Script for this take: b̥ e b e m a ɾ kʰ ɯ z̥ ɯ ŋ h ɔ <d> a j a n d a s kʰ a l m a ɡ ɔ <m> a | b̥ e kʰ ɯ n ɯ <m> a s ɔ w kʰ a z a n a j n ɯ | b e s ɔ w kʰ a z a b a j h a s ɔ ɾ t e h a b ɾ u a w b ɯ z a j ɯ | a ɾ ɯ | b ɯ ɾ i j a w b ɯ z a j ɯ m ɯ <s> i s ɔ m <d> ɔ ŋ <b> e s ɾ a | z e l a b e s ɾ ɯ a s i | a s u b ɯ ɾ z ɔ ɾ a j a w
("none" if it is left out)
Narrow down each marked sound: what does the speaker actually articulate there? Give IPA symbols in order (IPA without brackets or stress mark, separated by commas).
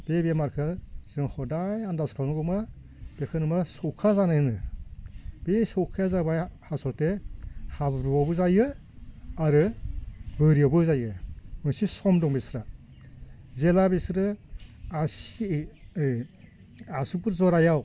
d, m, m, s, d, b